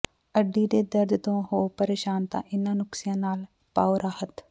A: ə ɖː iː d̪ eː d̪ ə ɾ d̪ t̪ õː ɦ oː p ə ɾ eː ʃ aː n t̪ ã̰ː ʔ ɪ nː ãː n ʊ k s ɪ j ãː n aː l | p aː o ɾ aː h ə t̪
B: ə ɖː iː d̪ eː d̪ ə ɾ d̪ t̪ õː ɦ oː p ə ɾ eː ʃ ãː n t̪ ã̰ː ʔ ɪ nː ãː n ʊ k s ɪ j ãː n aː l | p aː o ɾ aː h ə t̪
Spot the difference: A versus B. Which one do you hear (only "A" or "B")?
A